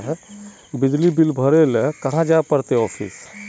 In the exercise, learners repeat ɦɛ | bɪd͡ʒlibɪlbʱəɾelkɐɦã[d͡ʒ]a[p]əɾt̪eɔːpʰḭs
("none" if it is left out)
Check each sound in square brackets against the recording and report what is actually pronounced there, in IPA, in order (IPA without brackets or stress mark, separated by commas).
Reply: d͡ʒ, p